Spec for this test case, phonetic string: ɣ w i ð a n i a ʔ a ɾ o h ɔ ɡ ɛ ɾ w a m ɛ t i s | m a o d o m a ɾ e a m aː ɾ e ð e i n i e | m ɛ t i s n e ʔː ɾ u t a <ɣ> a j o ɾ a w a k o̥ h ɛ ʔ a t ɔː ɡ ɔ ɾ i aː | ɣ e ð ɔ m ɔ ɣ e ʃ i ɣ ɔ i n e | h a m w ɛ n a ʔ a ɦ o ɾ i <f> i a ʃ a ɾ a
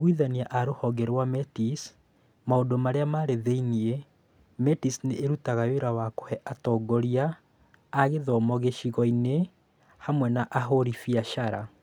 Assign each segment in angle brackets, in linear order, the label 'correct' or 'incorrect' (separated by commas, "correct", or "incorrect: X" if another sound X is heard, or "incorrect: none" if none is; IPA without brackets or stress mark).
correct, correct